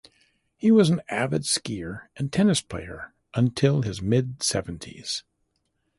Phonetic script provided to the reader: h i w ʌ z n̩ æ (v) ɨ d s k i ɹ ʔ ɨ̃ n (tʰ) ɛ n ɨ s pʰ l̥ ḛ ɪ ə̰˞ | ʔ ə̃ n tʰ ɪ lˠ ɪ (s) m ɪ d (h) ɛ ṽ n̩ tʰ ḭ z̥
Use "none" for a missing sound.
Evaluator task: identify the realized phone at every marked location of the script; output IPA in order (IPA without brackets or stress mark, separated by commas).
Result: v, tʰ, z, s